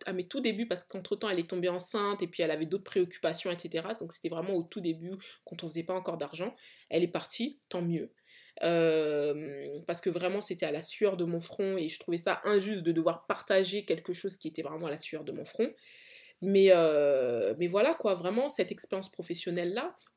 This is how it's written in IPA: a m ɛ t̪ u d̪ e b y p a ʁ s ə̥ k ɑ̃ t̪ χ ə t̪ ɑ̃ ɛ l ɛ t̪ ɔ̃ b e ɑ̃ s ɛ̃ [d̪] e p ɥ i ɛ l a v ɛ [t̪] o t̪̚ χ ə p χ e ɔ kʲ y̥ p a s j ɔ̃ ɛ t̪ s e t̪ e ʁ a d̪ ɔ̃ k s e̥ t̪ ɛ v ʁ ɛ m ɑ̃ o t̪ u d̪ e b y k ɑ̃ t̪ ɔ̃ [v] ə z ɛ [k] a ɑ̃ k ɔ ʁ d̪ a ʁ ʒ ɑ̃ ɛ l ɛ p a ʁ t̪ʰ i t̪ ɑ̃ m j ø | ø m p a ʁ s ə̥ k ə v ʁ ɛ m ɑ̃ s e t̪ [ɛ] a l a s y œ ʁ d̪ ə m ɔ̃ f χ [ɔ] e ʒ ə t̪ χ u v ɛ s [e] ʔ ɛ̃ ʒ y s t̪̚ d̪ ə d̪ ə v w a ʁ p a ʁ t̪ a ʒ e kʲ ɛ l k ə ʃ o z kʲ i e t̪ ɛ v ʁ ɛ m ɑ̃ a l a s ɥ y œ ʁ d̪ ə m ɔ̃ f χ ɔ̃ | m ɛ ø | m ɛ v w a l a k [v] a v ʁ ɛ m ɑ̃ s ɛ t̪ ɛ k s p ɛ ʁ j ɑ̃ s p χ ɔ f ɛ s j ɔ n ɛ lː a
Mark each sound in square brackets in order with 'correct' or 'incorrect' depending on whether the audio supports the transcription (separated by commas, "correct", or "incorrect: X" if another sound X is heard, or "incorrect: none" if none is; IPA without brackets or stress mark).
incorrect: t̪, incorrect: d̪, incorrect: f, incorrect: p, correct, incorrect: ɔ̃, incorrect: a, incorrect: w